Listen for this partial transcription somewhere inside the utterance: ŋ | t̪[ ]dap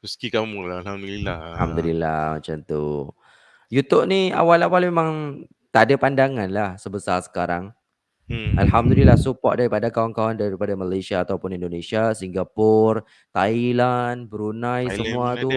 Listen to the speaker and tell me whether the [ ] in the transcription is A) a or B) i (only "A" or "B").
A